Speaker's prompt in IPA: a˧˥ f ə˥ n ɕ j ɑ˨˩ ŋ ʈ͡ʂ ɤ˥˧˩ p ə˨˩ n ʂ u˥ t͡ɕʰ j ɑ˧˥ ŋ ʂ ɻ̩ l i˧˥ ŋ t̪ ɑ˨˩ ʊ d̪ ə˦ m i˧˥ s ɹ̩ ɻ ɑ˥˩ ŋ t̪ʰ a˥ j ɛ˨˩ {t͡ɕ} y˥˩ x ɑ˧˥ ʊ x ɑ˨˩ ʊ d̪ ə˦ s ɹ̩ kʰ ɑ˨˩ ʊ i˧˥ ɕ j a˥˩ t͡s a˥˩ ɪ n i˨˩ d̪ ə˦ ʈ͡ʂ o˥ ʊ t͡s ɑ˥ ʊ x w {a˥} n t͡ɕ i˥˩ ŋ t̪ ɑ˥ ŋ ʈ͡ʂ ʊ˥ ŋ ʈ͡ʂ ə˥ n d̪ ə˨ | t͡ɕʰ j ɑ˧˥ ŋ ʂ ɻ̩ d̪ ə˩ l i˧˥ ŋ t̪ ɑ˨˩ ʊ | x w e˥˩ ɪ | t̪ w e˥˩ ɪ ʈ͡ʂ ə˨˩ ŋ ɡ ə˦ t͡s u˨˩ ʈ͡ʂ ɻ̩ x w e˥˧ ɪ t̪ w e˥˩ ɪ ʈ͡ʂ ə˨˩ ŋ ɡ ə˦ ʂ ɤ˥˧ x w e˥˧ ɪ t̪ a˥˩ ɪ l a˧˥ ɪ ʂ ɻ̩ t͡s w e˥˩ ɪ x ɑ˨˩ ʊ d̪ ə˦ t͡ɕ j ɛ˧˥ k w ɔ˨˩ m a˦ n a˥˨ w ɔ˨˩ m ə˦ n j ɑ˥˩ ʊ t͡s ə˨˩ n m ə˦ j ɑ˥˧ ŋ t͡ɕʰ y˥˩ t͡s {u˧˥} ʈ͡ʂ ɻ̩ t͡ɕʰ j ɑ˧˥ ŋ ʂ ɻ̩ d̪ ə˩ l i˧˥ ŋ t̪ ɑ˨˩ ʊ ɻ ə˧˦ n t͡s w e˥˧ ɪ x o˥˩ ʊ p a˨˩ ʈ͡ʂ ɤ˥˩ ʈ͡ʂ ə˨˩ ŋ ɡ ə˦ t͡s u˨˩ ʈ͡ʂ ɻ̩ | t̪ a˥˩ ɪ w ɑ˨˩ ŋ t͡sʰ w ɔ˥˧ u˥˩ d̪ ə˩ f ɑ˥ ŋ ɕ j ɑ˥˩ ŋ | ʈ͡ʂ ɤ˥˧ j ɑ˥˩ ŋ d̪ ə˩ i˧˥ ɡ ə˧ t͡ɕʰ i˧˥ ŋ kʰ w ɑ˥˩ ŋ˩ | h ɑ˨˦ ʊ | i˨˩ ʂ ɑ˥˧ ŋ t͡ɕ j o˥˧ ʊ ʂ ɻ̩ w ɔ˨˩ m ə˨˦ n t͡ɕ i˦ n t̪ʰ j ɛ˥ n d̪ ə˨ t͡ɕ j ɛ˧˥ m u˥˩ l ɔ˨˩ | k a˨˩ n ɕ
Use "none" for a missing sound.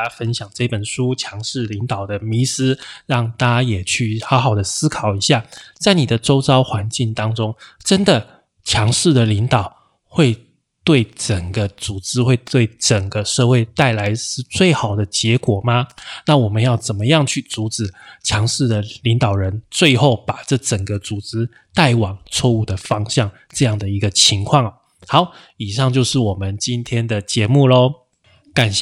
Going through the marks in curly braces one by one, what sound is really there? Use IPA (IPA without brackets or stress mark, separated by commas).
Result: t͡ɕʰ, a˧˥, u˧˥